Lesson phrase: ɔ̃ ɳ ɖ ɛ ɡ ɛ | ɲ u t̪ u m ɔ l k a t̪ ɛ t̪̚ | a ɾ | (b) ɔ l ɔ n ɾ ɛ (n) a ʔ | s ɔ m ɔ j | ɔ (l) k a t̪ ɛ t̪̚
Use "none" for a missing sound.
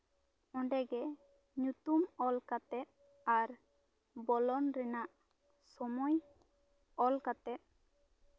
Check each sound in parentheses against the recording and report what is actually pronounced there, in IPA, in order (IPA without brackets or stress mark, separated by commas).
b, n, l